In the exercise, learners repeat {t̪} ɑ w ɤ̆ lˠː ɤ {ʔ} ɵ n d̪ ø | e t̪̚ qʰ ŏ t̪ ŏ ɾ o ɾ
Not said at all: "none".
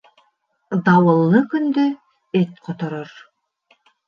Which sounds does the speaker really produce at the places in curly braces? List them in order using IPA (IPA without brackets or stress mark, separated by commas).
d̪, k